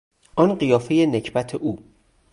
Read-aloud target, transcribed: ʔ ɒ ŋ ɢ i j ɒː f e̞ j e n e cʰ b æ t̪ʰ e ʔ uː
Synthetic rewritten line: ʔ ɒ n ɢ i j ɒː f e̞ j e n e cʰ b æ t̪ʰ e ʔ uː